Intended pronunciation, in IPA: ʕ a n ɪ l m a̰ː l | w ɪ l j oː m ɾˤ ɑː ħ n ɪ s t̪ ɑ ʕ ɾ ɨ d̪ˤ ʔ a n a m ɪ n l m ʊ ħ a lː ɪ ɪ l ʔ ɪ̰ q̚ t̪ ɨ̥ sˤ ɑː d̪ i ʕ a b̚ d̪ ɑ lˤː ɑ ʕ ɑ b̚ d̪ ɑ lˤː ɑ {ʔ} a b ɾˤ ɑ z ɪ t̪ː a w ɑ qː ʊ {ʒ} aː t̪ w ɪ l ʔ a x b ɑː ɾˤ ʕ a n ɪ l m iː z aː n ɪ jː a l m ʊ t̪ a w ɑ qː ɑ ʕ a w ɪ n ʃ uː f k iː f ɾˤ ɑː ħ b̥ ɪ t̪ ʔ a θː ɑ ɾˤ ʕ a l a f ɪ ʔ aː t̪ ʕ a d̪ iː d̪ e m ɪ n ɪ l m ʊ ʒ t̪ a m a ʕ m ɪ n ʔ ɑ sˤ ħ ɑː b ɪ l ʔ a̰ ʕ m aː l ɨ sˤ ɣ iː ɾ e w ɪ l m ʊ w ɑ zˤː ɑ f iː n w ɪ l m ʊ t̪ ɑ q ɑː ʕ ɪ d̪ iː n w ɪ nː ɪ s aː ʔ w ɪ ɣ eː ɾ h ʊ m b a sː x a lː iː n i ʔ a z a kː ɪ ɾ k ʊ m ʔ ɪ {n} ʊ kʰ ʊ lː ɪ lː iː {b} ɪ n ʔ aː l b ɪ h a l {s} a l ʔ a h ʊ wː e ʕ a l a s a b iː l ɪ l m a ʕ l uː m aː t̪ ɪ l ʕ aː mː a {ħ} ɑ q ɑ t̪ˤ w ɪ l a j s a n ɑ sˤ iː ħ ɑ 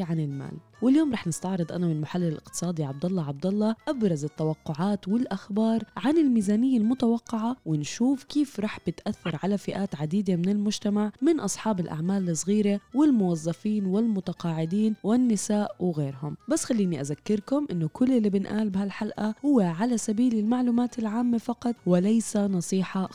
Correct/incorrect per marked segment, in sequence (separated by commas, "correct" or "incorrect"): correct, incorrect, incorrect, correct, incorrect, incorrect